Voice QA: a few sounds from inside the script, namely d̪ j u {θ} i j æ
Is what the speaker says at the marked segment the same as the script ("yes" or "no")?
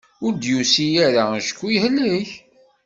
no